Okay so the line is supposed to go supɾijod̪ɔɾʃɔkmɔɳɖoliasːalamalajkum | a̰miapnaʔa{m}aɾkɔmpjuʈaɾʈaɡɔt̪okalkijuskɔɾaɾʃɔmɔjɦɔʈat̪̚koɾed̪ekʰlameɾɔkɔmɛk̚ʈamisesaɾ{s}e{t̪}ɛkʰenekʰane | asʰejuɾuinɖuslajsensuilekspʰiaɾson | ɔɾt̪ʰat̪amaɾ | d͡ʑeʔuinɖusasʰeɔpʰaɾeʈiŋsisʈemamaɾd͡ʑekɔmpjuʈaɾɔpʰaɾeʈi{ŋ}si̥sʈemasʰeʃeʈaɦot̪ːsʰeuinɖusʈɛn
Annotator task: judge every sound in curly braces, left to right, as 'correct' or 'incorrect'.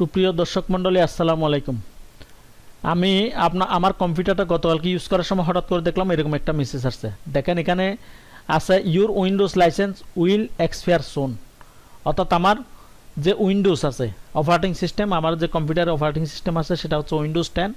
correct, correct, incorrect, correct

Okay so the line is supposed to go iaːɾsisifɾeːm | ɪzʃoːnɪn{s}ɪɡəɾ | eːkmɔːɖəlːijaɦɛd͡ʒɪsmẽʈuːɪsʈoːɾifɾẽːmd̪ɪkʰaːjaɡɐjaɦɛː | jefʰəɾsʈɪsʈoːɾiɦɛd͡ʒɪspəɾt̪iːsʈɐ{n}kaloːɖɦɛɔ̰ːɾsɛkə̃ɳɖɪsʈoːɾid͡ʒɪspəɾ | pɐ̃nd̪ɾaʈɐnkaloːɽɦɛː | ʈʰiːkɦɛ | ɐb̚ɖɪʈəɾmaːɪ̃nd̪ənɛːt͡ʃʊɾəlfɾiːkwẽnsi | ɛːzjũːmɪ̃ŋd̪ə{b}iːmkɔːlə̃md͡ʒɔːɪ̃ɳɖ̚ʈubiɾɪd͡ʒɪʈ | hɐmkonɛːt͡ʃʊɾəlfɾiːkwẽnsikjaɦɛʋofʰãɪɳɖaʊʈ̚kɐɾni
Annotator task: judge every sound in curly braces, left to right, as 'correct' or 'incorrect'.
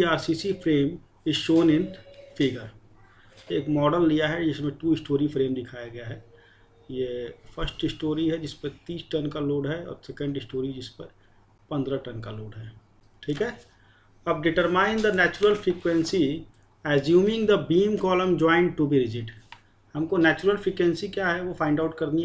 incorrect, correct, correct

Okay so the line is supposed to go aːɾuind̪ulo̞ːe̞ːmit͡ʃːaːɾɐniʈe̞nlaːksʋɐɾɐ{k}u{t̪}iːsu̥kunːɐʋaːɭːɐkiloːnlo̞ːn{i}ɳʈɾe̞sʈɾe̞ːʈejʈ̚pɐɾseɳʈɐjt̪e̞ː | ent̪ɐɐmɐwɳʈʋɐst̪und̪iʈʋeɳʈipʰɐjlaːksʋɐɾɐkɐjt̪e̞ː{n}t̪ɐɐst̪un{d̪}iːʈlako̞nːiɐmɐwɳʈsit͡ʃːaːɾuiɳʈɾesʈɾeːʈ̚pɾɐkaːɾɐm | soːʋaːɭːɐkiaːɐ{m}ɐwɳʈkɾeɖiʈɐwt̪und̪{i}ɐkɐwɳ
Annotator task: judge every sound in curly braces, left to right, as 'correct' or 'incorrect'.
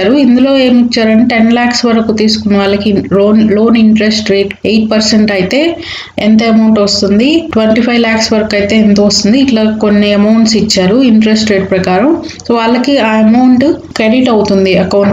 correct, correct, correct, correct, correct, correct, correct

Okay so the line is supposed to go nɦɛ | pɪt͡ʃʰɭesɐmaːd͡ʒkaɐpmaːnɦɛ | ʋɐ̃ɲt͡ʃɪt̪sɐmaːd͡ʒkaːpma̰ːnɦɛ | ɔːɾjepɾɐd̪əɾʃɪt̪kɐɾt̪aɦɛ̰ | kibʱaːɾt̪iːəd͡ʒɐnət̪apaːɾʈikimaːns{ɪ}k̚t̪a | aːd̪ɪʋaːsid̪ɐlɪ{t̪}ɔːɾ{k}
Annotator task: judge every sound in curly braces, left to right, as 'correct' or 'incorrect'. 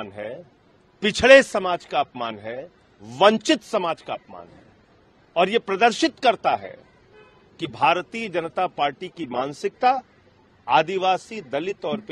correct, correct, incorrect

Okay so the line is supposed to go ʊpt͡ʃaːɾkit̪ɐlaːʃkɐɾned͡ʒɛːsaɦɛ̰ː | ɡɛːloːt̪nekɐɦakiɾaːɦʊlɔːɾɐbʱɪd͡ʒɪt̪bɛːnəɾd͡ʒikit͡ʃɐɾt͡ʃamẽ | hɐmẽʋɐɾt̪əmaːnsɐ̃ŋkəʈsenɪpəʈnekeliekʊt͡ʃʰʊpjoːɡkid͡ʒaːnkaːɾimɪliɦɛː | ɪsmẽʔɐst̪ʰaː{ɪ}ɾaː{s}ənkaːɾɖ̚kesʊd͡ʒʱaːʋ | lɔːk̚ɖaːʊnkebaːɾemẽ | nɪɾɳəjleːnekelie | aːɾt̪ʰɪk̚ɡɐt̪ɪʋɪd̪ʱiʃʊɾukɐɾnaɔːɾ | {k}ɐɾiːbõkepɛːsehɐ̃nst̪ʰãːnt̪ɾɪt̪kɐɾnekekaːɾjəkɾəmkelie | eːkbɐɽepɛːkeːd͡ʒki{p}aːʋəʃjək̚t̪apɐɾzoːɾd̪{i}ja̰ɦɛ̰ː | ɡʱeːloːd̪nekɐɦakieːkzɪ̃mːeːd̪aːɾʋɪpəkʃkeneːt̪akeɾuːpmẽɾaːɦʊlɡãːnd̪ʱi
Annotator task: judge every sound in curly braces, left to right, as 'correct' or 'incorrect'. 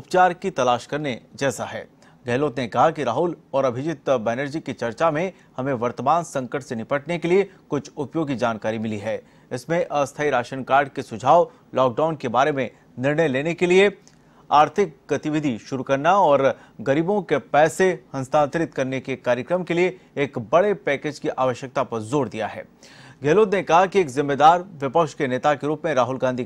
incorrect, incorrect, incorrect, incorrect, correct

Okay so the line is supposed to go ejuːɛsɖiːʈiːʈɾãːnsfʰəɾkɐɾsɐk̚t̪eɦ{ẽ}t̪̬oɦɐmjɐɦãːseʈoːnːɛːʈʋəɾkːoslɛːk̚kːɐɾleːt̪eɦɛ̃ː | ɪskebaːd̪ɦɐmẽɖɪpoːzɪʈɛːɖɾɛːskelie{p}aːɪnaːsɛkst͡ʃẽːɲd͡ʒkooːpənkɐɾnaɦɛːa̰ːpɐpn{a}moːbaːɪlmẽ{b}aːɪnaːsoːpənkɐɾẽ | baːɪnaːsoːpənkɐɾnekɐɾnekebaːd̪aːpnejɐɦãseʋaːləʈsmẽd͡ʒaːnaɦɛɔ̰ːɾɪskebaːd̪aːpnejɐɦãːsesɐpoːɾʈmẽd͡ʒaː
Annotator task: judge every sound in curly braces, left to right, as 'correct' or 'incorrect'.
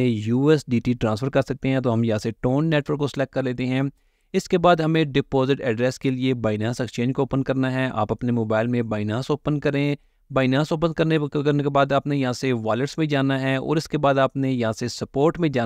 incorrect, incorrect, incorrect, correct

